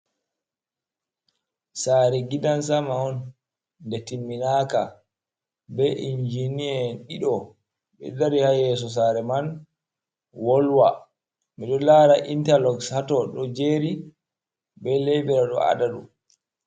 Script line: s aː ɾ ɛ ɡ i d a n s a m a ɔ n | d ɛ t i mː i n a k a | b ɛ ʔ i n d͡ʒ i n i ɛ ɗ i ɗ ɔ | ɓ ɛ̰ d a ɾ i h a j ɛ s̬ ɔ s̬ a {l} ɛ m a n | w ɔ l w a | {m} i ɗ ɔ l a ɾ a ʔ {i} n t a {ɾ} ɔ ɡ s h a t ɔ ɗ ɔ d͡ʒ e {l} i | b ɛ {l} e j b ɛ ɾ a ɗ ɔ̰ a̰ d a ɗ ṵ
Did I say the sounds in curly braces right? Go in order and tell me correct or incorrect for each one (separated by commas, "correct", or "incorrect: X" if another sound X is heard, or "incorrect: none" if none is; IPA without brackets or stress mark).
incorrect: ɾ, correct, correct, incorrect: l, incorrect: ɾ, correct